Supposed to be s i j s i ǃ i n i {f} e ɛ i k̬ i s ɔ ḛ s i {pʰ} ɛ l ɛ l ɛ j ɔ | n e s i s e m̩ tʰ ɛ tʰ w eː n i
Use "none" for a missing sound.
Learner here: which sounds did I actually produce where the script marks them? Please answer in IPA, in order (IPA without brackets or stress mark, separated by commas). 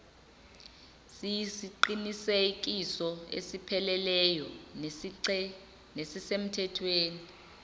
s, pʰ